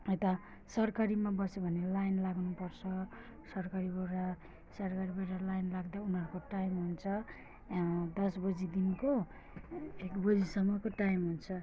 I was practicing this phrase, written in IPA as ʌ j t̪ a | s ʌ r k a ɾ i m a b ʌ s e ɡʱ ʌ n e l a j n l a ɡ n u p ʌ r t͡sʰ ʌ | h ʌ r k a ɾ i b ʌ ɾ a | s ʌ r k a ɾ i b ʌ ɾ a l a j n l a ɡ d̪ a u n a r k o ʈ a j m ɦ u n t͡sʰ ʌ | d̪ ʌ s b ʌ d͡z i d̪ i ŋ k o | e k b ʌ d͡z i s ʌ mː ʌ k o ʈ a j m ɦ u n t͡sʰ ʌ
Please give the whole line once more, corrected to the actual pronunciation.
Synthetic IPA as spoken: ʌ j t̪ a | s ʌ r k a ɾ i m a b ʌ s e bʱ ʌ n e l a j n l a ɡ n u p ʌ r t͡sʰ ʌ | s ʌ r k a ɾ i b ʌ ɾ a | s ʌ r k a ɾ i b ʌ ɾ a l a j n l a ɡ d̪ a u n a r k o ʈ a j m ɦ u n t͡sʰ ʌ | d̪ ʌ s b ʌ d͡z i d̪ i n k o | e k b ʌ d͡z i s ʌ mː ʌ k o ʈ a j m ɦ u n t͡sʰ ʌ

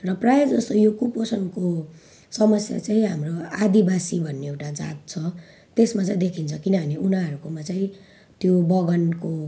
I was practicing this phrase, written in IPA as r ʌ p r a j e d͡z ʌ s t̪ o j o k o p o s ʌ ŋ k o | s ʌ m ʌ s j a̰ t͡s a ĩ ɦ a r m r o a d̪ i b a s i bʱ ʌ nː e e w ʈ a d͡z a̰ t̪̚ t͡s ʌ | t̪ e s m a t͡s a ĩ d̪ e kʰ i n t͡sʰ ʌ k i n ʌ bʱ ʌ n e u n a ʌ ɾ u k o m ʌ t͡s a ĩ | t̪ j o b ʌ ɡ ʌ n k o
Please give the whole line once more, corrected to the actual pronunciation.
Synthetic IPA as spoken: r ʌ p r a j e d͡z ʌ s t̪ o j o k u p o s ʌ n k o | s ʌ m ʌ s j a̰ t͡s a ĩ ɦ a m r o a d̪ i b a s i bʱ ʌ nː e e w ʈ a d͡z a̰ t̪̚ t͡sʰ ʌ | t̪ e s m a t͡s a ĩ d̪ e kʰ i n t͡sʰ ʌ k i n ʌ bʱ ʌ n e u n a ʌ ɾ u k o m a t͡s a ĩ | t̪ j o b ʌ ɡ ʌ n k o

